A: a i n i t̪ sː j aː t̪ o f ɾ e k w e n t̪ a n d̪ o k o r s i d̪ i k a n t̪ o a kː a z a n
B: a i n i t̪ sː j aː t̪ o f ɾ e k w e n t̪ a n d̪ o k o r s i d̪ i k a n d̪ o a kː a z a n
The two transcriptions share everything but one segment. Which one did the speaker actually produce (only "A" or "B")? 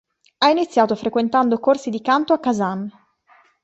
A